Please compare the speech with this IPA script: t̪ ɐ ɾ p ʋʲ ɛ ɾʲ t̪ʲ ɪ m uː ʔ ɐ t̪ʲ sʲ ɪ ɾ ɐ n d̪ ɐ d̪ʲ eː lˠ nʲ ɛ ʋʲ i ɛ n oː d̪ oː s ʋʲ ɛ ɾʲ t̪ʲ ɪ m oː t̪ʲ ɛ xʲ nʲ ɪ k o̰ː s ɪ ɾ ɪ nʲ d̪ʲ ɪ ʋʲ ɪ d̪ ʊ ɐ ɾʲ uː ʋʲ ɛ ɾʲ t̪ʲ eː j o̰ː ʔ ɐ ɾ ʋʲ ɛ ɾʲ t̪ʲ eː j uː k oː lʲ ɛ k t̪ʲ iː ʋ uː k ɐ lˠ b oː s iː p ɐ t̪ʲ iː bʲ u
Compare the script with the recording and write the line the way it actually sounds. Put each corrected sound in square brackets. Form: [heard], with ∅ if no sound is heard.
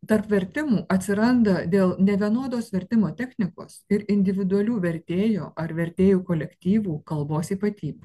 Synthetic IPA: t̪ ɐ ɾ p ʋʲ ɛ ɾʲ t̪ʲ ɪ m uː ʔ ɐ t̪ʲ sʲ ɪ ɾ ɐ n d̪ ɐ d̪ʲ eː lˠ nʲ ɛ ʋʲ i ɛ n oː d̪ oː s ʋʲ ɛ ɾʲ t̪ʲ ɪ m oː t̪ʲ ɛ xʲ nʲ ɪ k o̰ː s ɪ ɾ ɪ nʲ d̪ʲ ɪ ʋʲ ɪ d̪ ʊ ɐ [lʲ] uː ʋʲ ɛ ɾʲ t̪ʲ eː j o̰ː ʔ ɐ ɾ ʋʲ ɛ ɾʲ t̪ʲ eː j uː k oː lʲ ɛ k t̪ʲ iː ʋ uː k ɐ lˠ b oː s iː p ɐ t̪ʲ iː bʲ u